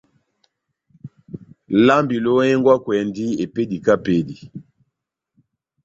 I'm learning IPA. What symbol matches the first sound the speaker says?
l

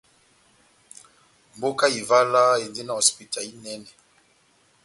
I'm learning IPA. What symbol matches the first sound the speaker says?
m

